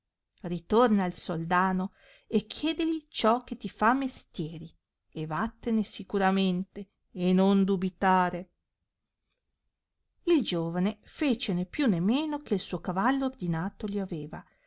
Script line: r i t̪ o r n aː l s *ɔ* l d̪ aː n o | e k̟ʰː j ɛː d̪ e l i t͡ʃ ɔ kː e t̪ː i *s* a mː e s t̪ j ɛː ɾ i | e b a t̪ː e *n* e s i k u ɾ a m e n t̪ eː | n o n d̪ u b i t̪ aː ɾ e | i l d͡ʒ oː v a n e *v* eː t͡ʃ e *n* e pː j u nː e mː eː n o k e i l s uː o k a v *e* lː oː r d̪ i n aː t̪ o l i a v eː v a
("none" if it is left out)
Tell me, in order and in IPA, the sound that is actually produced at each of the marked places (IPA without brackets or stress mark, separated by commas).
o, f, n, f, n, a